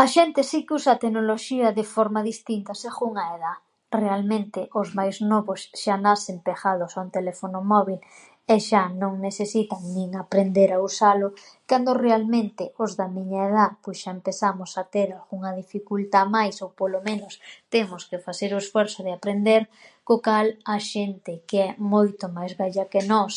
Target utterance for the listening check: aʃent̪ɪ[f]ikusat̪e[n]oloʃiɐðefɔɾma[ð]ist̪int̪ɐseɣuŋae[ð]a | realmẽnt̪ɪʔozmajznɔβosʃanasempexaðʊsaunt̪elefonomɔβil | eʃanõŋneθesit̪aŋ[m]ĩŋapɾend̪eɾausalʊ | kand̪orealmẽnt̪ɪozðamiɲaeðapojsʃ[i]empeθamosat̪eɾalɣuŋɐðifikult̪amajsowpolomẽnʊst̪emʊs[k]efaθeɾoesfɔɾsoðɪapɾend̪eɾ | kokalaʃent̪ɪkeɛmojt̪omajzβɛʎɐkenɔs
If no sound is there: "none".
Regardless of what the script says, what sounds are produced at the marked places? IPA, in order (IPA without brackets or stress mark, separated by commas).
s, n, ð, ð, n, a, k